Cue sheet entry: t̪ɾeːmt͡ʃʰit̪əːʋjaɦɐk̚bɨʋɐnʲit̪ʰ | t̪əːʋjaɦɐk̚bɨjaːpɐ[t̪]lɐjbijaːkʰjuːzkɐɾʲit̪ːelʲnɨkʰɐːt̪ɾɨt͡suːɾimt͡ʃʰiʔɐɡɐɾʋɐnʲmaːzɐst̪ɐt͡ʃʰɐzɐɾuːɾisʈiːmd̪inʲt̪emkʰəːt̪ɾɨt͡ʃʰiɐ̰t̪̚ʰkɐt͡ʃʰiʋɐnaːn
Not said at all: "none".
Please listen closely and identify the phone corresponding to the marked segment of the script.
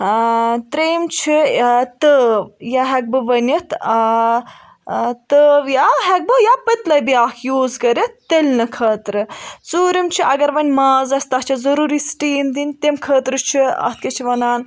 t̪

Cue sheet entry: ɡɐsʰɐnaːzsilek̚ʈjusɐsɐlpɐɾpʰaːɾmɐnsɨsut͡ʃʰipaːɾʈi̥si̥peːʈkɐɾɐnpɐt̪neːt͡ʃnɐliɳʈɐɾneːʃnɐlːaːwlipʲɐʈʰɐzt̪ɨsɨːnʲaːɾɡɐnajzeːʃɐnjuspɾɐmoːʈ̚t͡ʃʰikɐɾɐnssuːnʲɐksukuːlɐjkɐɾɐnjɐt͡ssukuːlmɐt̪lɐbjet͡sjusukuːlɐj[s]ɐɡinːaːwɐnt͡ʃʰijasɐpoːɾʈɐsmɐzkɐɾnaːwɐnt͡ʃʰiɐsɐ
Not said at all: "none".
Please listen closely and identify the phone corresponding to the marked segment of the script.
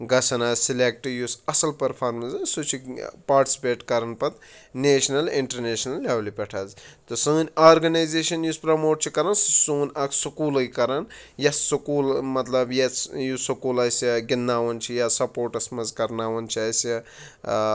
s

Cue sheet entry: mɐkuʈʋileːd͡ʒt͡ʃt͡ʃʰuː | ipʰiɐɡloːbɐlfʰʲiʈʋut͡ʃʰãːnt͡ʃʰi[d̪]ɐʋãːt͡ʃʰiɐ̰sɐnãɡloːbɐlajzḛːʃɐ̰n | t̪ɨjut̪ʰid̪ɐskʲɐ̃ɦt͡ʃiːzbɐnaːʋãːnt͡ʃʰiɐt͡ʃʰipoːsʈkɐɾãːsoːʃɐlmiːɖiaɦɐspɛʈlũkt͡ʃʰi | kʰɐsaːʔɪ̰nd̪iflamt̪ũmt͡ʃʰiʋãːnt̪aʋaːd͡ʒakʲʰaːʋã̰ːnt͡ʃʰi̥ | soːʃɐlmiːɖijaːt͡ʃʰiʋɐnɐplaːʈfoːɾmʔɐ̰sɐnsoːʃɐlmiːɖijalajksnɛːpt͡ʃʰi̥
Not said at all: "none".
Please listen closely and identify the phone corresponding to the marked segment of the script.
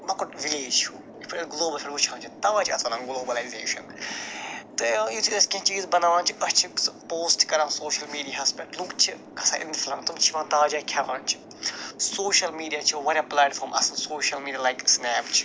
t̪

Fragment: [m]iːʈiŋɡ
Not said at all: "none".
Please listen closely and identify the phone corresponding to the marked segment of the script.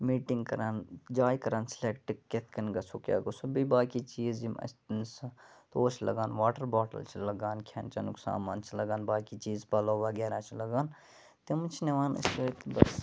m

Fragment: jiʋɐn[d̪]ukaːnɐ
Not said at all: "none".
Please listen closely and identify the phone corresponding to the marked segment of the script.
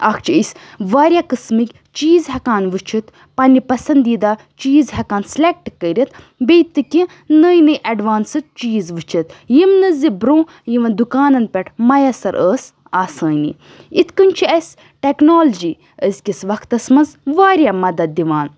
d̪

